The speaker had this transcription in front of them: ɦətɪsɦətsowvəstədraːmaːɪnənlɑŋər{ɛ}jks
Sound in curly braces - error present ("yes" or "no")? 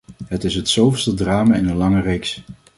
yes